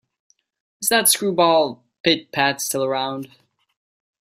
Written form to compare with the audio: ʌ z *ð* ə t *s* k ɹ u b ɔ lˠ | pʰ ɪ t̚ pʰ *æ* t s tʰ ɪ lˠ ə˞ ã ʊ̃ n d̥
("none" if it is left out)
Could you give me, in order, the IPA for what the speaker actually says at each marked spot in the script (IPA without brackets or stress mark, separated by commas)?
ð, s, æ